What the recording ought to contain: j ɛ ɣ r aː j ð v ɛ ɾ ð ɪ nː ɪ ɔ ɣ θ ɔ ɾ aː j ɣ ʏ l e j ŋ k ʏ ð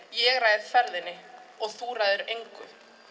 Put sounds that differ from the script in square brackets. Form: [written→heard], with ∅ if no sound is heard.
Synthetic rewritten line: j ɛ ɣ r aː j ð [v→f] ɛ ɾ ð ɪ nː ɪ ɔ ɣ θ [ɔ→u] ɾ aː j [ɣ→ð] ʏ [l→ɾ] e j ŋ k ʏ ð